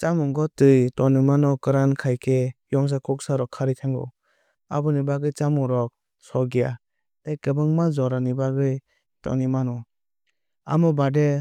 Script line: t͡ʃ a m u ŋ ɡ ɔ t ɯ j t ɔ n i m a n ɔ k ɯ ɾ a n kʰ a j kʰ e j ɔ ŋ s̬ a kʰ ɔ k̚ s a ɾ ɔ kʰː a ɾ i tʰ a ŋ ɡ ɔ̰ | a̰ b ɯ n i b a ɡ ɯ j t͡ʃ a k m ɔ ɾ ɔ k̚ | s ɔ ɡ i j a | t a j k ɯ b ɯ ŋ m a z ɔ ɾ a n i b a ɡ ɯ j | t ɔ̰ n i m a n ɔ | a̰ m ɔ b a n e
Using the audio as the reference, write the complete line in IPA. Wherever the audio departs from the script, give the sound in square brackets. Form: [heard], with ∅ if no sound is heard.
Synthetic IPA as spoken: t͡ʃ a m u ŋ ɡ ɔ t ɯ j t ɔ n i m a n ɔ k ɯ ɾ a n kʰ a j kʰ e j ɔ ŋ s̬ a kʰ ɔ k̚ s a ɾ ɔ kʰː a ɾ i tʰ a ŋ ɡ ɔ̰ | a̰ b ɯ n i b a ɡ ɯ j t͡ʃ a [∅] m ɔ ɾ ɔ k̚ | s ɔ ɡ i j a | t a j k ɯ b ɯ ŋ m a z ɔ ɾ a n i b a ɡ ɯ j | t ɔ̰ n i m a n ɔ | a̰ m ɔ b a [d] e